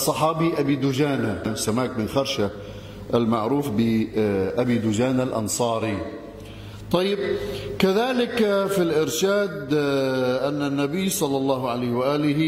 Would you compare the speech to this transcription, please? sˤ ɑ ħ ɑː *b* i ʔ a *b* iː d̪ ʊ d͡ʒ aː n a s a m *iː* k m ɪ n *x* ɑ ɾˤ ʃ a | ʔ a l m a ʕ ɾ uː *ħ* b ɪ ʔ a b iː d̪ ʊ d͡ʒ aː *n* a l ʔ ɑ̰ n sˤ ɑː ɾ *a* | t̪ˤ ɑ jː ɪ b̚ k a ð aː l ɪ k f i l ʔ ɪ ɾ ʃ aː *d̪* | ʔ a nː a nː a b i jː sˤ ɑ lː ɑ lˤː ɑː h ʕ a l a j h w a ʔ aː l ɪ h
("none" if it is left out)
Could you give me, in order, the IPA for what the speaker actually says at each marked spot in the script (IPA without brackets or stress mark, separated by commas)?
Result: b, b, aː, x, f, n, i, d̪